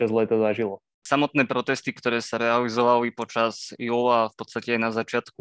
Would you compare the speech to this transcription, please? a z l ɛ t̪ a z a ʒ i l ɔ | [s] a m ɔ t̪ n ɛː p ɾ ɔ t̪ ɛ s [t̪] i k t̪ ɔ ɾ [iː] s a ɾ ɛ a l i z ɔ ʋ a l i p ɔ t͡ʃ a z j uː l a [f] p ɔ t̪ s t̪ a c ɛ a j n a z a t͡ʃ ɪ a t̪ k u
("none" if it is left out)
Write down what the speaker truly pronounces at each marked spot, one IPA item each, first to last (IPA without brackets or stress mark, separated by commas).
s, t̪, ɛː, f